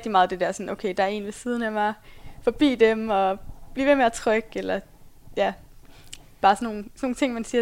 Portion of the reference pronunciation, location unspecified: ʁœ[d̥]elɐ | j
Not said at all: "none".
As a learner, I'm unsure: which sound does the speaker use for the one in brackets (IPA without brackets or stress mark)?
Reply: ɡ̥